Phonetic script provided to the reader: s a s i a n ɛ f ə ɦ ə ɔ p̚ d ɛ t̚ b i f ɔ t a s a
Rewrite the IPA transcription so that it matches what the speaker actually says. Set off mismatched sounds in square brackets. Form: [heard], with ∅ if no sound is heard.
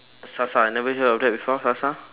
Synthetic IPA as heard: s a s [a] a n ɛ [v] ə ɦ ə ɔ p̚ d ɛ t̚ b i f ɔ [s] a s a